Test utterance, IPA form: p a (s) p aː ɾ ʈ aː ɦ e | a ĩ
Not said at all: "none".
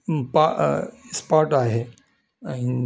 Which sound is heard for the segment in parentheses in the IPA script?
s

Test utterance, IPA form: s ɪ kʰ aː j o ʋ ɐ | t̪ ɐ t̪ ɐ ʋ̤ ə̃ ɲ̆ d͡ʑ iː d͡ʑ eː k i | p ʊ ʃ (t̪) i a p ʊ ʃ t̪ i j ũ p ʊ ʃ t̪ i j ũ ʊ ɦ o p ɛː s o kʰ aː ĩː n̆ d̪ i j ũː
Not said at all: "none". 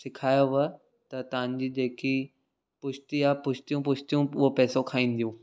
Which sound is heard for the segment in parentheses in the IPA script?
t̪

